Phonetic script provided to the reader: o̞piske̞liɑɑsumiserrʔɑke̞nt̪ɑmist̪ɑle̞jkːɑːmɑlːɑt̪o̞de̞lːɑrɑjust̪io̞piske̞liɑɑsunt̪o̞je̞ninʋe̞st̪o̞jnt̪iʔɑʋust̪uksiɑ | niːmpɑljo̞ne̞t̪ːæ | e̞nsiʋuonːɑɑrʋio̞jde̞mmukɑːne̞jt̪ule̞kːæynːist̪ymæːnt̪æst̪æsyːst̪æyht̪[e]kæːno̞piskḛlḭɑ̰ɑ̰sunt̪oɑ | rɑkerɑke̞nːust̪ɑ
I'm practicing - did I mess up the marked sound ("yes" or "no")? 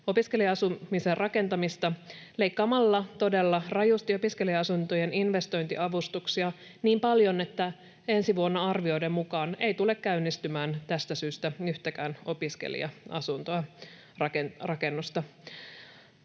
yes